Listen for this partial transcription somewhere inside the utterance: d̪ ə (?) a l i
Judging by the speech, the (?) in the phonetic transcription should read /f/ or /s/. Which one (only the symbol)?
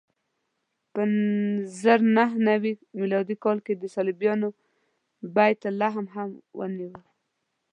s